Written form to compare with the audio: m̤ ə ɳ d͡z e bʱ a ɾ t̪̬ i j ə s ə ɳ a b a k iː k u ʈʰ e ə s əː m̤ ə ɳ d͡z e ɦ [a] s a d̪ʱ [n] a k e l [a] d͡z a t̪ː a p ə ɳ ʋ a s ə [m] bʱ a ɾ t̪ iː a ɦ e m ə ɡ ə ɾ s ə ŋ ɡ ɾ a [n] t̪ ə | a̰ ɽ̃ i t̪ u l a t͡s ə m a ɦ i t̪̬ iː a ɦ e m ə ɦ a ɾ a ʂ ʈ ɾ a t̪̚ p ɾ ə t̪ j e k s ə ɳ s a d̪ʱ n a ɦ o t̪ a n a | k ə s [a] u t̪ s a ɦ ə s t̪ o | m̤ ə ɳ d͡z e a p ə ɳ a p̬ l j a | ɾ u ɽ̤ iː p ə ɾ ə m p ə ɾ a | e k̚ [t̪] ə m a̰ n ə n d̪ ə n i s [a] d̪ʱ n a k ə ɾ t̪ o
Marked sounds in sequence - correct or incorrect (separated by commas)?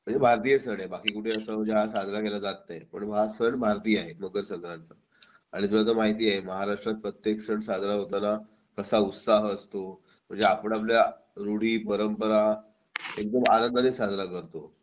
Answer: correct, correct, correct, incorrect, correct, correct, incorrect, correct